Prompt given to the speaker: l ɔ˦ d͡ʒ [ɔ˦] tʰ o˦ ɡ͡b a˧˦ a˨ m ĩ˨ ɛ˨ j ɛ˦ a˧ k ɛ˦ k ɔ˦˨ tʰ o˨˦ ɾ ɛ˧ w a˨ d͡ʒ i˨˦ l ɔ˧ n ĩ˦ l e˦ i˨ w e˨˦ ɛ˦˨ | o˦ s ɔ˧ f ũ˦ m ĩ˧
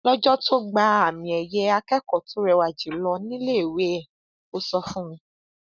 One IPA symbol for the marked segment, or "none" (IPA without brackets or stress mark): ɔ˦